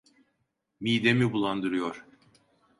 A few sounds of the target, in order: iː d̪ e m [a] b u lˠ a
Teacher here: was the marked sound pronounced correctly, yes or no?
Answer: no